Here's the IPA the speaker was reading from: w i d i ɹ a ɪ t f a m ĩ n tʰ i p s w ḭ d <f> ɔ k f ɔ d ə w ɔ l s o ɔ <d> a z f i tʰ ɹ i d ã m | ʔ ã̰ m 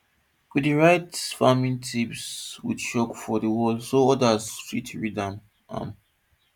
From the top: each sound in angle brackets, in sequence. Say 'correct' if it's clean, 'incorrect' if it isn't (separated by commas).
incorrect, correct